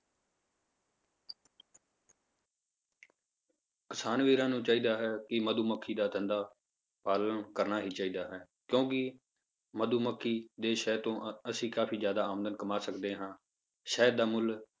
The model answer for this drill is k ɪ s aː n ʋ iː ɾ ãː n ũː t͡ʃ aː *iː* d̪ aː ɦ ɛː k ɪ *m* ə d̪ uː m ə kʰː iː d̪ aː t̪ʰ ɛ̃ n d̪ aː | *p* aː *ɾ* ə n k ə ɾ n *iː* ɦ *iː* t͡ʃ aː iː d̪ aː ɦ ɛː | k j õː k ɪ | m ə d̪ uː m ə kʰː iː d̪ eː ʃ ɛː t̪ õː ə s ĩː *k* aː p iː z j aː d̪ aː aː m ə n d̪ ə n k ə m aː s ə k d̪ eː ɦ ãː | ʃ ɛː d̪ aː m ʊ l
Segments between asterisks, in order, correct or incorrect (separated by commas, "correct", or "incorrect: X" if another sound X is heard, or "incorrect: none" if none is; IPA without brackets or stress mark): correct, correct, correct, incorrect: l, incorrect: aː, correct, correct